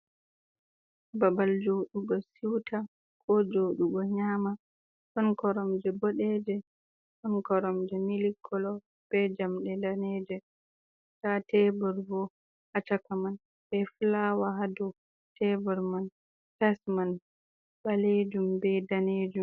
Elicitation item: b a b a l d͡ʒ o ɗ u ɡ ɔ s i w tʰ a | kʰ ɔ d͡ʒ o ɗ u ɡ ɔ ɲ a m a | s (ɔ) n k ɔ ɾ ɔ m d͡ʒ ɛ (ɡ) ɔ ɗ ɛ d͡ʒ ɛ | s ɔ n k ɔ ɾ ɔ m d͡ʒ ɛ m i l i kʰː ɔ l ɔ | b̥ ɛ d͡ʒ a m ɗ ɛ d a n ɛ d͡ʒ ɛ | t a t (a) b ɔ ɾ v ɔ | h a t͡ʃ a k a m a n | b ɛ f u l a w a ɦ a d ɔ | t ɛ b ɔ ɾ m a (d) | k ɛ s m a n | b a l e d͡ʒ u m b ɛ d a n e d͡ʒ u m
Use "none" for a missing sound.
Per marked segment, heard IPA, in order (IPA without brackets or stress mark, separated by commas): ɔ, b, ɛ, n